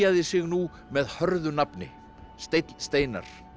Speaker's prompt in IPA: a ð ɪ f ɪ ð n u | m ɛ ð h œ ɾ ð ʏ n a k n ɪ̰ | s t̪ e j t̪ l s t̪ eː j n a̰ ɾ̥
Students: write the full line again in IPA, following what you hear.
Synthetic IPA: a ð ɪ s ɪ ɣ n u | m ɛ ð h œ ɾ ð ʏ n a p n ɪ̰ | s t̪ e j t̪ l s t̪ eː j n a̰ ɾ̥